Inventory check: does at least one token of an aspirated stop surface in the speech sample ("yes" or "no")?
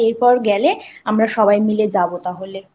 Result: no